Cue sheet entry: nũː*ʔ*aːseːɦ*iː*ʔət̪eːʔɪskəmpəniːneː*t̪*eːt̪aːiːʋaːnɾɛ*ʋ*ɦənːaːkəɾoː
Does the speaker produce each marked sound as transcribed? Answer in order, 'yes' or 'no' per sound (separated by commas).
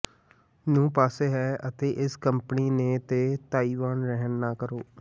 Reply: no, no, yes, no